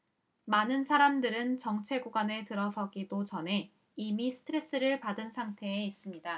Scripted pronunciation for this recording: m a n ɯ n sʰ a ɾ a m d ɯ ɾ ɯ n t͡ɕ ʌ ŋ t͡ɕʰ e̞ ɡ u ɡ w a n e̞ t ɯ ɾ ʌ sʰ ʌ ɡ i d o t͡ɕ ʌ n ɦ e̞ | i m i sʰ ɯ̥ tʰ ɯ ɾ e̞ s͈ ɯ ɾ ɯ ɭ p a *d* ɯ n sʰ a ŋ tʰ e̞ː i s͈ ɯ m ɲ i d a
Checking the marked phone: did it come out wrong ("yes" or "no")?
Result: no